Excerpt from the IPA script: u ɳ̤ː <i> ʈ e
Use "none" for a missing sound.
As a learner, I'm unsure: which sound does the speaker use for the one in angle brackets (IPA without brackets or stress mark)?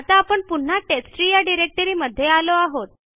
a